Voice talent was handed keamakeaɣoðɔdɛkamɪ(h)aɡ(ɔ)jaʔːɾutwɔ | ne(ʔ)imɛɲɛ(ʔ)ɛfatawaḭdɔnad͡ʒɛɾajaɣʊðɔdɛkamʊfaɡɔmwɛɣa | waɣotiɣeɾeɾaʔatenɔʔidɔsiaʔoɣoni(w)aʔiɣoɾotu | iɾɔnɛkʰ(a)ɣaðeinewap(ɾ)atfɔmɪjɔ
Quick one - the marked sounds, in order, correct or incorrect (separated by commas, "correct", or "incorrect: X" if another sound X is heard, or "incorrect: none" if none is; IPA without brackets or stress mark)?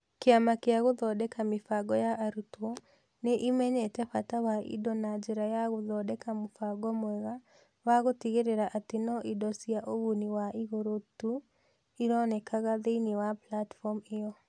incorrect: f, correct, correct, incorrect: t, correct, correct, incorrect: l